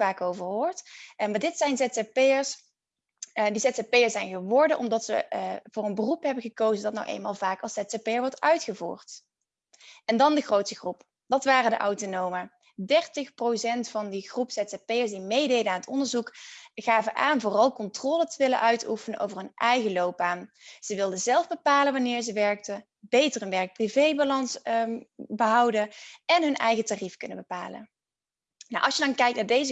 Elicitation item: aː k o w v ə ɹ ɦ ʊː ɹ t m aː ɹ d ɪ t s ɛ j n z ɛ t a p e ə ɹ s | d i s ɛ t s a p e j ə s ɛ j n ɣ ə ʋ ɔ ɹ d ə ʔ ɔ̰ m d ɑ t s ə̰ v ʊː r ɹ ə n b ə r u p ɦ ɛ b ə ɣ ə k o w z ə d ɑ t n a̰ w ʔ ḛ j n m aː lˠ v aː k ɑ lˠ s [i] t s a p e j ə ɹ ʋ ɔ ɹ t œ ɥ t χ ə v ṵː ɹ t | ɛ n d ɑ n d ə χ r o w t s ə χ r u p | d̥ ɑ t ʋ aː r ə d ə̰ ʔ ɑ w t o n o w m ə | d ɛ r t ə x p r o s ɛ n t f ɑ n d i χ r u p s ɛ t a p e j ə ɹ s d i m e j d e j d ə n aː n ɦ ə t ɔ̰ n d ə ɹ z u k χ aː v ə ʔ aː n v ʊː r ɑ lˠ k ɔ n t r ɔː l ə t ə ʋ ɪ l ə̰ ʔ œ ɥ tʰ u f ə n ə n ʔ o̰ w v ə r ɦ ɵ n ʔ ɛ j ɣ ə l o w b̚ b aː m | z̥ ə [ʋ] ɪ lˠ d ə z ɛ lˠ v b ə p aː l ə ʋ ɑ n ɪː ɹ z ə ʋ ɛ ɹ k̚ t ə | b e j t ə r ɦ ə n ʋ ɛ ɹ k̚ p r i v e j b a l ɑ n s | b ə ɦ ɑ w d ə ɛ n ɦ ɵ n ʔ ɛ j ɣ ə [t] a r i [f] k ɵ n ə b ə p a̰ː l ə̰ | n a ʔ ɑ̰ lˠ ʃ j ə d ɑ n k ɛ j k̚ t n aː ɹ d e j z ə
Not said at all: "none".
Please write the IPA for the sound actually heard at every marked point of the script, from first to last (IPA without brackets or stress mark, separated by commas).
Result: ɛ, ʋ, t, f